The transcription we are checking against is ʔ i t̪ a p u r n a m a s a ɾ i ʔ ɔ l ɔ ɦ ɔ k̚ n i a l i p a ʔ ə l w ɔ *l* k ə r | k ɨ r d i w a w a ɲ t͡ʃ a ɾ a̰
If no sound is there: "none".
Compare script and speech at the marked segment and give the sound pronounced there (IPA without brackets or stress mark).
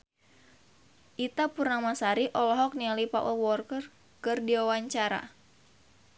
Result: r